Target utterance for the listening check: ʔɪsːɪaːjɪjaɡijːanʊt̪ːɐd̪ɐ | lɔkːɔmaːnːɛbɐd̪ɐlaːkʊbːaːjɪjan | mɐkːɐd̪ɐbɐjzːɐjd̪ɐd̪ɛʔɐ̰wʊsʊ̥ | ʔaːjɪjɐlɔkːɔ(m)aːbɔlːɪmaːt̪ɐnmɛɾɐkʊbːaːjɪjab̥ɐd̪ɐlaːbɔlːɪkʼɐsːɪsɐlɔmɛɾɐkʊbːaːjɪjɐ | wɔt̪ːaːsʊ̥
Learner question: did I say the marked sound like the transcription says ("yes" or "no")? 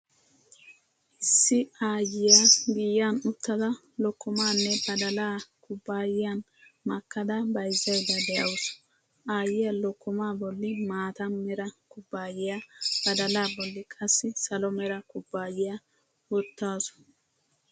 yes